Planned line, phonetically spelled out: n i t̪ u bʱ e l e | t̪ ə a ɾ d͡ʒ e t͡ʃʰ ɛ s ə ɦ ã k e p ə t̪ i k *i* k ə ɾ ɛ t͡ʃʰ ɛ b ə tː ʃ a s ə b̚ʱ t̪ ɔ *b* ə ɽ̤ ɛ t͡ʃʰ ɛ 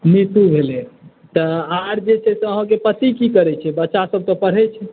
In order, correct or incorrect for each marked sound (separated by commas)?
correct, incorrect